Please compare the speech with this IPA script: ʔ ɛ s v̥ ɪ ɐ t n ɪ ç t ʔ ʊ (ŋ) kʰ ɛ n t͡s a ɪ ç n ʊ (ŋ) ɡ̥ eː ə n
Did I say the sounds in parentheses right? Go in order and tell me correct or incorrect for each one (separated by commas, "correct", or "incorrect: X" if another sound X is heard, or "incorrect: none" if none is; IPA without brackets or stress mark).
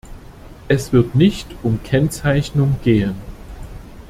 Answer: incorrect: m, correct